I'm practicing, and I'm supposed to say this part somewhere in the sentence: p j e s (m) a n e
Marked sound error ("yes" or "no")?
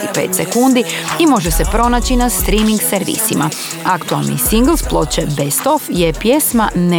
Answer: no